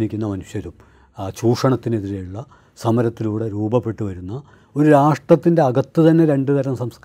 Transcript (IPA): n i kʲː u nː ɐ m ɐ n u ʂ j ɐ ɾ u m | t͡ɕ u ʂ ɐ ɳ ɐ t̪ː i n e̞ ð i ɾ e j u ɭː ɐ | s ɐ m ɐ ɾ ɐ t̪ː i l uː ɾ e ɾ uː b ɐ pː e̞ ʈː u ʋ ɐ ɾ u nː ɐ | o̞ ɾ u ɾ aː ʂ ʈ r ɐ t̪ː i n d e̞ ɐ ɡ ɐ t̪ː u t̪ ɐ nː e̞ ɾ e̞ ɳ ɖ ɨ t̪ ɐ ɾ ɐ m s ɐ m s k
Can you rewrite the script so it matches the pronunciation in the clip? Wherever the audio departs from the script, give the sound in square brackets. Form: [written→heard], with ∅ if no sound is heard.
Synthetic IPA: n i kʲː u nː ɐ m ɐ n u ʂ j ɐ ɾ u m | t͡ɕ [u→uː] ʂ ɐ ɳ ɐ t̪ː i n e̞ ð i ɾ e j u ɭː ɐ | s ɐ m ɐ ɾ ɐ t̪ː i l uː [ɾ→ɽ] e ɾ uː b ɐ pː e̞ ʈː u ʋ ɐ ɾ u nː ɐ | o̞ ɾ u ɾ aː ʂ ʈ r ɐ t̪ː i n d e̞ ɐ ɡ ɐ t̪ː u t̪ ɐ nː e̞ ɾ e̞ ɳ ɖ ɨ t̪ ɐ ɾ ɐ m s ɐ m s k